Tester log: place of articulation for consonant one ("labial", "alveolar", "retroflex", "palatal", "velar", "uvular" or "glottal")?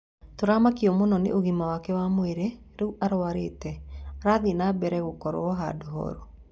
alveolar